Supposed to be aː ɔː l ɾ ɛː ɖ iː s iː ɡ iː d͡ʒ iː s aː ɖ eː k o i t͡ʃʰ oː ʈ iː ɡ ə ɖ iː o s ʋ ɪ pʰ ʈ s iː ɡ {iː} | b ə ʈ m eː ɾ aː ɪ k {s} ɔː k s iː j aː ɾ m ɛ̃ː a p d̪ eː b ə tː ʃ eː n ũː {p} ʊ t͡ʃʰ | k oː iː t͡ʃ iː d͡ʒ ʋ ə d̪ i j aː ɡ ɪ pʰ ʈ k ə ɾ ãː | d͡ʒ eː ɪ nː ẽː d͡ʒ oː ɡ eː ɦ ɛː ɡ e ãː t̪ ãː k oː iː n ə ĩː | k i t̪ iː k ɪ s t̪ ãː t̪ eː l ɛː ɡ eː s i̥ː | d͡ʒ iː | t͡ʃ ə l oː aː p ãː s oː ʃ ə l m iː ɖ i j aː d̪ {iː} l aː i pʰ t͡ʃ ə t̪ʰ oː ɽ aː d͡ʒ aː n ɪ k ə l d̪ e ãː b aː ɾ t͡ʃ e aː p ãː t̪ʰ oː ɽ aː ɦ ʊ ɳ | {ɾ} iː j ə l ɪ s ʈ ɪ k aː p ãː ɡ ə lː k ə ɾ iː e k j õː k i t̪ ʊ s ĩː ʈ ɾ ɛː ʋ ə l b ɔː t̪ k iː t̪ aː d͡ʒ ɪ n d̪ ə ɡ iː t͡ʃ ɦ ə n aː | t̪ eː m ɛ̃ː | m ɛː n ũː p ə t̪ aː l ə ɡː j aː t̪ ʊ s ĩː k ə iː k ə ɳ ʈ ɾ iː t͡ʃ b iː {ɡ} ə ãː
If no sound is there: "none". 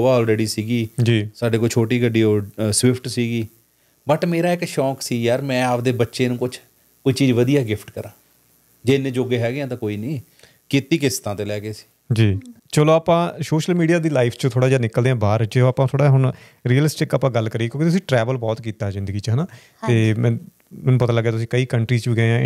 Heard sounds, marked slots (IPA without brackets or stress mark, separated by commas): iː, ʃ, k, iː, ɾ, ɡ